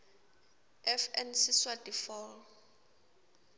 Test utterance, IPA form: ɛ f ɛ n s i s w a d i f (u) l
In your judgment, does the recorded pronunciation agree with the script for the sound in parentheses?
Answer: no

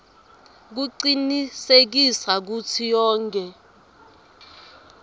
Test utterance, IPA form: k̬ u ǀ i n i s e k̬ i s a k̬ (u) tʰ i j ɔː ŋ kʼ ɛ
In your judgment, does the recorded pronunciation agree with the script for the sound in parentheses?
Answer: yes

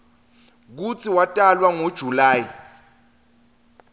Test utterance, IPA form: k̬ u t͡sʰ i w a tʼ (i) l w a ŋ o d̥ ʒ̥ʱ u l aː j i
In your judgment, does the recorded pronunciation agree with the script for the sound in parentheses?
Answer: no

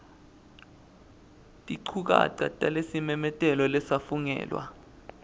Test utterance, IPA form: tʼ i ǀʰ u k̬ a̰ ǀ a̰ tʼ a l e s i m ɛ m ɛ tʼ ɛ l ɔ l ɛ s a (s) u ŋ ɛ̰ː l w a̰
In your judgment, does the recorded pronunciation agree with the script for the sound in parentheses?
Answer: no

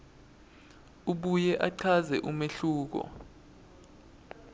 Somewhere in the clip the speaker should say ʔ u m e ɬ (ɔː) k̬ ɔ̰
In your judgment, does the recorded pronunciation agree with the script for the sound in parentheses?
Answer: no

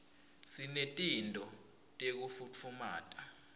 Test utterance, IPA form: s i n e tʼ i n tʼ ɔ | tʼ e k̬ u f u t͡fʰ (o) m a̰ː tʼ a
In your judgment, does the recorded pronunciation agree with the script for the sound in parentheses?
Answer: no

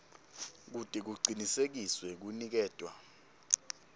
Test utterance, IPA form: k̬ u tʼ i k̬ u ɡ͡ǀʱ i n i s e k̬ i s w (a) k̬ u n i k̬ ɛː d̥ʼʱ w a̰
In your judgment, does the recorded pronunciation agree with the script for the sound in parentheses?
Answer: no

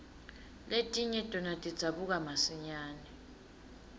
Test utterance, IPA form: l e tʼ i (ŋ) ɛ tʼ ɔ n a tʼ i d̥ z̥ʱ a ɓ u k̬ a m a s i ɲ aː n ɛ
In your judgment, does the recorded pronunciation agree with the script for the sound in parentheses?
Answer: no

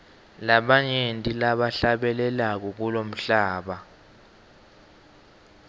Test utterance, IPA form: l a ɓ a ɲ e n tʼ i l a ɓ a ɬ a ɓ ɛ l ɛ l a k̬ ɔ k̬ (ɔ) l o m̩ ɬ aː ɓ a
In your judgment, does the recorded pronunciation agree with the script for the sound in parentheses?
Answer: no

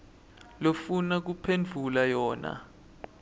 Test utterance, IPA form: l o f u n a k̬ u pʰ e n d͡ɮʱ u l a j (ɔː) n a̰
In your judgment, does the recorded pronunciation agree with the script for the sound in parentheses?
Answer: yes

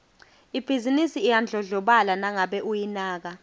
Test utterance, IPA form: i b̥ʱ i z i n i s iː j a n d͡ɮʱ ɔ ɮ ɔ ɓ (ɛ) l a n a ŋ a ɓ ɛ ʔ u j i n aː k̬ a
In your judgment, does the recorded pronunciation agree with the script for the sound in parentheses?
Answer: no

